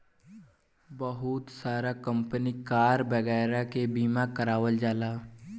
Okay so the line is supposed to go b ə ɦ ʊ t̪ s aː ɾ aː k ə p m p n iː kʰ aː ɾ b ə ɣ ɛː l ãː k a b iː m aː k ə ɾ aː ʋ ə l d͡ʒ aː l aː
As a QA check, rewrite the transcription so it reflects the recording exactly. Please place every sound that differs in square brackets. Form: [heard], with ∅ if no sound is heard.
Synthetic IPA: b ə ɦ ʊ t̪ s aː ɾ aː k ə [∅] m p n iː [k] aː ɾ b ə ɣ ɛː [ɾ] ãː k [e] b iː m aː k ə ɾ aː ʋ ə l d͡ʒ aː l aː